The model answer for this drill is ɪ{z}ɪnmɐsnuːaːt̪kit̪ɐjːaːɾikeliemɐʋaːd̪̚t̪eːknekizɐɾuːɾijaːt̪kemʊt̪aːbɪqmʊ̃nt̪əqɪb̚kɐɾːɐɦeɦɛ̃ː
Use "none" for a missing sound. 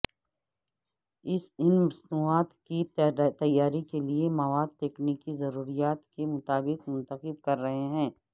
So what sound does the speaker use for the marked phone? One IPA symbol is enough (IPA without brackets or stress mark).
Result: s